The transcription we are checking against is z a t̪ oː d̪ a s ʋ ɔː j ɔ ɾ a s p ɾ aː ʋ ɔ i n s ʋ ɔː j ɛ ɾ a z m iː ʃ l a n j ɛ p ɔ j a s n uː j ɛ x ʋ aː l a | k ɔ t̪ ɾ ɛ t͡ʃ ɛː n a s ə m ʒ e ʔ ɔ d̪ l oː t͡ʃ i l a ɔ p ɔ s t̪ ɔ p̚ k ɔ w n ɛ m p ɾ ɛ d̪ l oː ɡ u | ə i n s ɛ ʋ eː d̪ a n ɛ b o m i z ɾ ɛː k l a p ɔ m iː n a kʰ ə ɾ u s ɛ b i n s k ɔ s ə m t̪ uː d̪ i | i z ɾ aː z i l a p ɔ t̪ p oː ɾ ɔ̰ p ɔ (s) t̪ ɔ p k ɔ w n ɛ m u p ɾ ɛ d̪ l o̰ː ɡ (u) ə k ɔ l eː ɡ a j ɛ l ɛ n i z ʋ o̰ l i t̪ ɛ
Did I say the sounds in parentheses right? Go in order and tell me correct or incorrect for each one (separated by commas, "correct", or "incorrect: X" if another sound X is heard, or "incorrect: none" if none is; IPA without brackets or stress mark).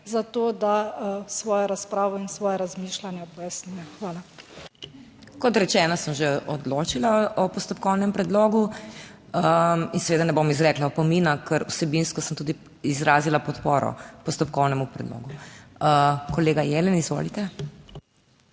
correct, correct